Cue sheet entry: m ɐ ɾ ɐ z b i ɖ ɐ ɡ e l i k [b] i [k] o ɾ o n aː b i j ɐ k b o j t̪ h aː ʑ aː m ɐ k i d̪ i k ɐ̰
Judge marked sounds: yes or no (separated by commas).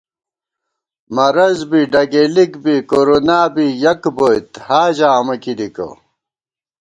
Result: yes, yes